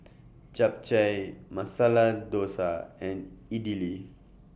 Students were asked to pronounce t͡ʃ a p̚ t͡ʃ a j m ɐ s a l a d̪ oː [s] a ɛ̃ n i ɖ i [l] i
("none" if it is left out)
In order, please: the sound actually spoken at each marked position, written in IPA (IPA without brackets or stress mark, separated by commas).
s, l